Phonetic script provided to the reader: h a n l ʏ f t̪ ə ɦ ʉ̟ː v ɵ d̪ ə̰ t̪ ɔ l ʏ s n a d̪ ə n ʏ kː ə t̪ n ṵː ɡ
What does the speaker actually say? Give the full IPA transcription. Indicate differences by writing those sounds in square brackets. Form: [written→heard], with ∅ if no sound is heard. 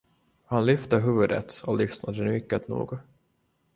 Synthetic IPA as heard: h a n l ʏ f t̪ ə ɦ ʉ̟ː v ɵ d̪ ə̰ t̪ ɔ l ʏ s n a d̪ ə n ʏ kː ə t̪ n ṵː ɡ